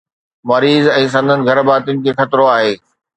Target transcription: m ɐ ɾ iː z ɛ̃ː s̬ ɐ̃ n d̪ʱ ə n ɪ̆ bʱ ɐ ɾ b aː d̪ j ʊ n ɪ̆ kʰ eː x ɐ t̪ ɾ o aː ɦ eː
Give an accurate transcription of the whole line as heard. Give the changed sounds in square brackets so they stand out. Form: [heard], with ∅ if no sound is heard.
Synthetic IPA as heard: m ɐ ɾ iː z ɛ̃ː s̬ ɐ̃ n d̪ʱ ə n ɪ̆ [ɡʱ] ɐ ɾ b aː [t̪] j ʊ n ɪ̆ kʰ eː x ɐ t̪ ɾ o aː ɦ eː